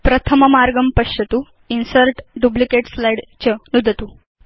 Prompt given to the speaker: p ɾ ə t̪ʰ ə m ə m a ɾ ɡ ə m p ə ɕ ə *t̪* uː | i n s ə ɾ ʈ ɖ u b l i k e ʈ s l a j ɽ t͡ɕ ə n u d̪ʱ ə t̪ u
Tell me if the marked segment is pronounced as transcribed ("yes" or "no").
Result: yes